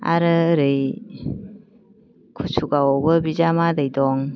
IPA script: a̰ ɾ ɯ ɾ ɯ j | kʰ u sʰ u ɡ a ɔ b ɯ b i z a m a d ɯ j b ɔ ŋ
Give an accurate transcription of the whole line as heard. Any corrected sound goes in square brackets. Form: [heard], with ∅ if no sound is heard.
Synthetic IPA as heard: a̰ ɾ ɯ ɾ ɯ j | kʰ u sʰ u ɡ a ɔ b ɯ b i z a m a d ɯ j [d] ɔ ŋ